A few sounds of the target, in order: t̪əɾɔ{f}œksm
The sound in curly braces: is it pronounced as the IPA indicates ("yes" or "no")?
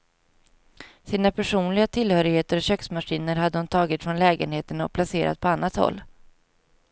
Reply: no